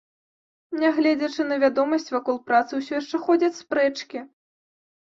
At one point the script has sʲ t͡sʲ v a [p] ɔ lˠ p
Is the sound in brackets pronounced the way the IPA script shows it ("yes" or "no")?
no